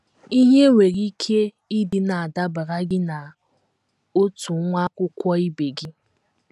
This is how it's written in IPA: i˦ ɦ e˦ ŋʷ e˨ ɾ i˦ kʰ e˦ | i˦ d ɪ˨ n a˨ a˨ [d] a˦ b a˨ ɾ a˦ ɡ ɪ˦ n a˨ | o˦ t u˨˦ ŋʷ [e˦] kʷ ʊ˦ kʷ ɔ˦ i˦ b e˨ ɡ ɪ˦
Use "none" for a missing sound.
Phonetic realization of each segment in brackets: d, a˦

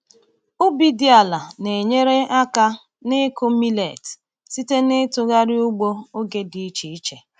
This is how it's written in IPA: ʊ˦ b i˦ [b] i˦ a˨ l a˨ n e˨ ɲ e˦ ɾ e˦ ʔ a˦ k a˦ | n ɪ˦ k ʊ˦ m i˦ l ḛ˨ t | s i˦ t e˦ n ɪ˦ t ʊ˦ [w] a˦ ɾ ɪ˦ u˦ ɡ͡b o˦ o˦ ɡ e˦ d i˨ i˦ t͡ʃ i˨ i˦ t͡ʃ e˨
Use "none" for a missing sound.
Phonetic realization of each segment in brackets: d, ɣ

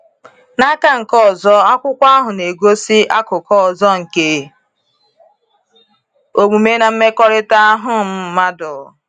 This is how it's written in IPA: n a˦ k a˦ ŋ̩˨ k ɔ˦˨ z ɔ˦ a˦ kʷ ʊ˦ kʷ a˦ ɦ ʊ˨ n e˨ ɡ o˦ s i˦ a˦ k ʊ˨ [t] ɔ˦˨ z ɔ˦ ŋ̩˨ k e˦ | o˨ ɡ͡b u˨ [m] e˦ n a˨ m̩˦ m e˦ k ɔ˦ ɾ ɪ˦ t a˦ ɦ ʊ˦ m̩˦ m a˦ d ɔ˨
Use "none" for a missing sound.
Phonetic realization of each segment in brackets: k, m

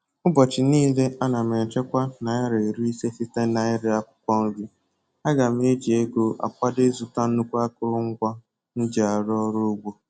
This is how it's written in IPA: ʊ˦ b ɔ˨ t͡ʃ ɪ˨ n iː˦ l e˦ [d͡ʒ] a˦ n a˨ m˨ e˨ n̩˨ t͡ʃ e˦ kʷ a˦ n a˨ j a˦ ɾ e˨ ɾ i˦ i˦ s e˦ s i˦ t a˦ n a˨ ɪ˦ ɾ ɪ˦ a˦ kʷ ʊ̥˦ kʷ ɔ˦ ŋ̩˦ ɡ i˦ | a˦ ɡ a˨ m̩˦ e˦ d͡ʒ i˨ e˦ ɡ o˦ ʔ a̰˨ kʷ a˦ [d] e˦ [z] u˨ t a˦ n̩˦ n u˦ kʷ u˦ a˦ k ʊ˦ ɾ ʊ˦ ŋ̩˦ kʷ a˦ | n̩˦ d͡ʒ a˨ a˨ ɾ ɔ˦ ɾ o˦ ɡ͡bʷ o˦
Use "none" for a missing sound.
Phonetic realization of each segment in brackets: none, d, z

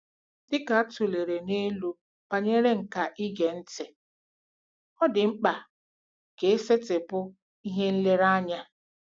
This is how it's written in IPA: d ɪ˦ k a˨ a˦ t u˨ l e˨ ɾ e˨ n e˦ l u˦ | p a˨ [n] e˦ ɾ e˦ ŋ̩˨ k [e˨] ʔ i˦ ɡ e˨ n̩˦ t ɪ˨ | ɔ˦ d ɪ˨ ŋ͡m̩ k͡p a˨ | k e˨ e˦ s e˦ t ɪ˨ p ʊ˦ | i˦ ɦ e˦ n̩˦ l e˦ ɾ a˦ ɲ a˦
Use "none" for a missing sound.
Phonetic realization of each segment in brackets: ɲ, a˨

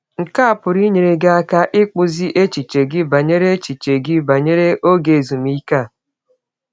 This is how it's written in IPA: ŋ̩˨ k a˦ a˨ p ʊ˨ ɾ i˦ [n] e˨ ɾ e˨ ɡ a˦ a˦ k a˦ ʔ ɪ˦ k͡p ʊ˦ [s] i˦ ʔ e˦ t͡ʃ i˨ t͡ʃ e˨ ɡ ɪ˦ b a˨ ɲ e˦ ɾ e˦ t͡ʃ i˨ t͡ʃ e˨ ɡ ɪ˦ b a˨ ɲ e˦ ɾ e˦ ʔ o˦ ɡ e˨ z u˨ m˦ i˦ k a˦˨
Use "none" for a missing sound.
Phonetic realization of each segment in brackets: ɲ, z

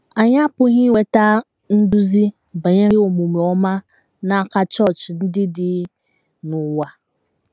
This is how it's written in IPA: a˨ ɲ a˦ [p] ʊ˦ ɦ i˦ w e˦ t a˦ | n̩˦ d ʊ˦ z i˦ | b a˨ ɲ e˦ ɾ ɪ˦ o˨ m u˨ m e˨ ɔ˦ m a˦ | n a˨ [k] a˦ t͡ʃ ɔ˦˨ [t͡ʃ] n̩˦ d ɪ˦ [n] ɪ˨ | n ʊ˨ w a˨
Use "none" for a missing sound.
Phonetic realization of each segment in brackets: p, k, t͡ʃ, d

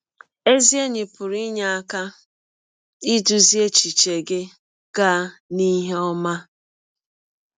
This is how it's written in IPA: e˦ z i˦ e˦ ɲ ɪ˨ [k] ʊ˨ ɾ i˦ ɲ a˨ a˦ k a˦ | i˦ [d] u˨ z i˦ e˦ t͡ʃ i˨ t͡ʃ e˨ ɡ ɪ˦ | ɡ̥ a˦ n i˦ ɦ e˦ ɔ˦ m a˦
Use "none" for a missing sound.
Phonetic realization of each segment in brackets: p, d

